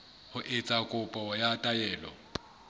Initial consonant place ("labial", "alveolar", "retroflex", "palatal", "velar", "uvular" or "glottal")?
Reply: glottal